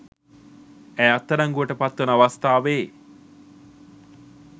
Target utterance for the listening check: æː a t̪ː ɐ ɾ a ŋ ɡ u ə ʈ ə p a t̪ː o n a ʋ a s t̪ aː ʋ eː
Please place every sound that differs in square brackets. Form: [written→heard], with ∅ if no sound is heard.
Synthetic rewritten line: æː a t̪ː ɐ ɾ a ŋ ɡ u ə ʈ ə p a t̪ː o n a ʋ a s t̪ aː ʋ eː

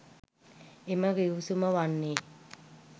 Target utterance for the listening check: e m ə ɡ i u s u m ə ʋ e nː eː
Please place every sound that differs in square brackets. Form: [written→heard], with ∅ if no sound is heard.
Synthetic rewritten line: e m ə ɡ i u s u m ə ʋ [e→a] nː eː

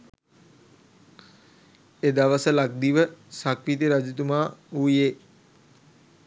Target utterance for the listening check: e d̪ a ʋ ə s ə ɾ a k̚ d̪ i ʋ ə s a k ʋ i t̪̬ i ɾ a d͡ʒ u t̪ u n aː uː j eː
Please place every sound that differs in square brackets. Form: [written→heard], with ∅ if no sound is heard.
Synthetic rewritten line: e d̪ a ʋ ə s ə [ɾ→l] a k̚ d̪ i ʋ ə s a k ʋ i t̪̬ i ɾ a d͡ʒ u t̪ u [n→m] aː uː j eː

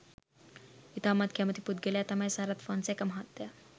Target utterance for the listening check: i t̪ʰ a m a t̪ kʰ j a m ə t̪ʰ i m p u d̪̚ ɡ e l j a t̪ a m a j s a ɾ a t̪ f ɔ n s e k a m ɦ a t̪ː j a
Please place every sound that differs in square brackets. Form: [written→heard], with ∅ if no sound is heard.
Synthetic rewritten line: i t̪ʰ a m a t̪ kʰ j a m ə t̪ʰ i [m→∅] p u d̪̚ ɡ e l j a t̪ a m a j s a ɾ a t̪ f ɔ n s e k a m ɦ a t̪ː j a

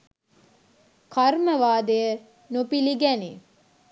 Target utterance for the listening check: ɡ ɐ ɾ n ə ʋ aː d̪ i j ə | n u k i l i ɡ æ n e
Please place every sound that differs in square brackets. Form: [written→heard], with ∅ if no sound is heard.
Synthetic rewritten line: [ɡ→k] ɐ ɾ [n→m] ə ʋ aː d̪ [i→e] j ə | n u [k→p] i l i ɡ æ n [e→i]

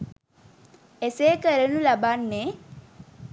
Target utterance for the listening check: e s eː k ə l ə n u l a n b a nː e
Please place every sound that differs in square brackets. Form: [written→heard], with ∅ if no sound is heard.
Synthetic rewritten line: e s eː k ə [l→ɾ] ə n u l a [n→∅] b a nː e

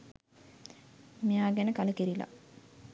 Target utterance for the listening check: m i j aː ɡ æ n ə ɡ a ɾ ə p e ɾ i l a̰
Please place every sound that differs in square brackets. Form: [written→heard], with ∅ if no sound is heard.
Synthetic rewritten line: m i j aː ɡ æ n ə [ɡ→k] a [ɾ→l] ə [p→k] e ɾ i l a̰

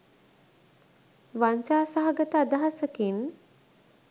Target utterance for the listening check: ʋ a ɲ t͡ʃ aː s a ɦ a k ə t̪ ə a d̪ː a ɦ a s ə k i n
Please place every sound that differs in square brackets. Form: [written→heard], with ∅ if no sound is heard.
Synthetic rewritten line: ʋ a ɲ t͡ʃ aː s a ɦ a [k→ɡ] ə t̪ ə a [d̪ː→d̪] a ɦ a s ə k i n

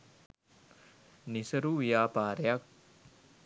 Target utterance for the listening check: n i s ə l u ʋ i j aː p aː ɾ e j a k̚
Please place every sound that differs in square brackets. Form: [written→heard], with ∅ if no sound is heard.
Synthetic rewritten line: n i s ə [l→ɾ] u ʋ i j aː p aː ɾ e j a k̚

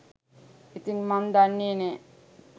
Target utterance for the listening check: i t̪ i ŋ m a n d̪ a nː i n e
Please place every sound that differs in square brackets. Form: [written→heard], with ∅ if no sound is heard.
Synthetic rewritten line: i t̪ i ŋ m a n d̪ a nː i n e

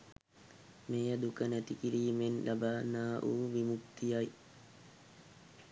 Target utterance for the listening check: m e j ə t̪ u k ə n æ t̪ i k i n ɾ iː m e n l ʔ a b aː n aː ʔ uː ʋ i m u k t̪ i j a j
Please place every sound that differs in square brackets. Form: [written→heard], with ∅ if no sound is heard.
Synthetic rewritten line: m e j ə [t̪→d̪] u k ə n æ t̪ i k i [n→∅] ɾ iː m e n l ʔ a b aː n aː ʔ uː ʋ i m u k t̪ i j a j

